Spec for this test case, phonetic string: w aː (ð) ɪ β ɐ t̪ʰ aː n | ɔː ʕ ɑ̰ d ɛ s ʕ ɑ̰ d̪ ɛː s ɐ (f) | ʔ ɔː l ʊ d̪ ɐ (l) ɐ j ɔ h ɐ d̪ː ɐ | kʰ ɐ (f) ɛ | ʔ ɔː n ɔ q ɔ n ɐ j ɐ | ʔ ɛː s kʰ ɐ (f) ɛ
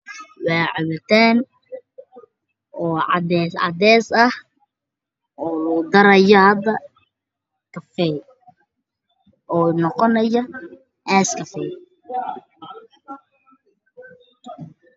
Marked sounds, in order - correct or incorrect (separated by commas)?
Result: incorrect, incorrect, incorrect, correct, correct